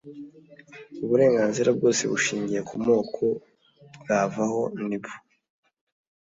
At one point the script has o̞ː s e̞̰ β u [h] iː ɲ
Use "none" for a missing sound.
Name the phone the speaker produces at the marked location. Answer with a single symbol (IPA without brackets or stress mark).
ʃ